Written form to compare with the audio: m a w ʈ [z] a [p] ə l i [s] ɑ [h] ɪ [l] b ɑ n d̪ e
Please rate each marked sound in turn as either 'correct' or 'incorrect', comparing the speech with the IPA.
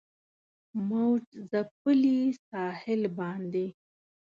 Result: correct, correct, correct, correct, correct

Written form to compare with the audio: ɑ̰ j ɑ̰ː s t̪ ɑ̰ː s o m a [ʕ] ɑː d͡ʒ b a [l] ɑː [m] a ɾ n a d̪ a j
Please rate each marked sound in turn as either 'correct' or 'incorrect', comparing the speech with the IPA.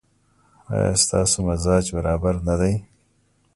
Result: incorrect, incorrect, incorrect

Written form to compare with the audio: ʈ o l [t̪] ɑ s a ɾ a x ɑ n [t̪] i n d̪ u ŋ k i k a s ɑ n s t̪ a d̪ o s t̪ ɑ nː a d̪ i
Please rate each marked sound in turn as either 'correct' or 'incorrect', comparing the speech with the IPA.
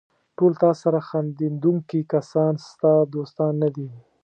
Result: correct, incorrect

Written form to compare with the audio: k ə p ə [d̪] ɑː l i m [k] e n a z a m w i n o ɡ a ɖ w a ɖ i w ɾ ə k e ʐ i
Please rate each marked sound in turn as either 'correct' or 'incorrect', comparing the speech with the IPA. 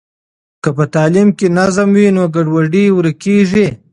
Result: incorrect, correct

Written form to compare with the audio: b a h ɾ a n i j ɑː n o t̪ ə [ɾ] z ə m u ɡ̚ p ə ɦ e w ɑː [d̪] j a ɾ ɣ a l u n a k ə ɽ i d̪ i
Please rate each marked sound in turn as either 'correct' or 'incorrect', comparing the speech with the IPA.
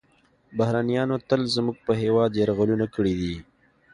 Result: incorrect, correct

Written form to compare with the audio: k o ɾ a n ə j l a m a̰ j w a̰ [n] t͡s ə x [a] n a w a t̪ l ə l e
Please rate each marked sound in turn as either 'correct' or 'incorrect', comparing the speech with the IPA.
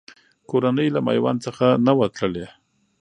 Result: correct, correct

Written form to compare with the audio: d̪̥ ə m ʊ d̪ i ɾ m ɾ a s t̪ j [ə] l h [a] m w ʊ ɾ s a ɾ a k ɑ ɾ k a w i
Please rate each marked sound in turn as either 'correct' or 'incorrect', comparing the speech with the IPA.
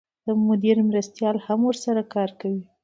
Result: incorrect, correct

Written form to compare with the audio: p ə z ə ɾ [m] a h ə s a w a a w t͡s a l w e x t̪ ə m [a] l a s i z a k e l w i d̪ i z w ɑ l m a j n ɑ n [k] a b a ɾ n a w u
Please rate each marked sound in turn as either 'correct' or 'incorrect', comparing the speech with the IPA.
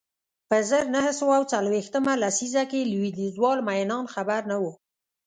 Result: incorrect, correct, incorrect

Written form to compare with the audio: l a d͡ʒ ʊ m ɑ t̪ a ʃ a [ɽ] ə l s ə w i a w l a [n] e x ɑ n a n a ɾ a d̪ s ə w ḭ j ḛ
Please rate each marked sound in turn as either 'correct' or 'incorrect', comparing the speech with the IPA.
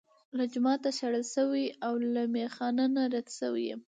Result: correct, incorrect

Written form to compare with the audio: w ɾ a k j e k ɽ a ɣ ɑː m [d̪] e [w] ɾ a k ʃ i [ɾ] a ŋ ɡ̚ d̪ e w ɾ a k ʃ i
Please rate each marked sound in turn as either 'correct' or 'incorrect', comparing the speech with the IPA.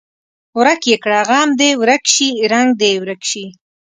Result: correct, correct, correct

